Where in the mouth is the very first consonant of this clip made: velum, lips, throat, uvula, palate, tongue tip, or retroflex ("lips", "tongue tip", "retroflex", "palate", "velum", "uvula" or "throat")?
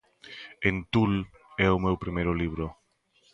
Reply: tongue tip